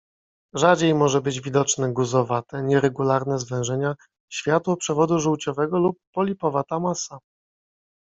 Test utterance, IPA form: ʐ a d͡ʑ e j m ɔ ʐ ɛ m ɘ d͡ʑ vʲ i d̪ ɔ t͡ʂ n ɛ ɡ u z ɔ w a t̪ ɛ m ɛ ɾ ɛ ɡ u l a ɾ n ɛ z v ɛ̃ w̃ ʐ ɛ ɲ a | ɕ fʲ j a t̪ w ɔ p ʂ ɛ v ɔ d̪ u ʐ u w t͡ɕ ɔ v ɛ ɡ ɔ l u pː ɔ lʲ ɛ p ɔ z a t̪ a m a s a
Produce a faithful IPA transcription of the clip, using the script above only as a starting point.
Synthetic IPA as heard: ʐ a d͡ʑ e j m ɔ ʐ ɛ b ɘ d͡ʑ vʲ i d̪ ɔ t͡ʂ n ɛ ɡ u z ɔ v a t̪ ɛ ɲ ɛ ɾ ɛ ɡ u l a ɾ n ɛ z v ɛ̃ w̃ ʐ ɛ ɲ a | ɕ fʲ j a t̪ w ɔ p ʂ ɛ v ɔ d̪ u ʐ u w t͡ɕ ɔ v ɛ ɡ ɔ l u pː ɔ lʲ i p ɔ v a t̪ a m a s a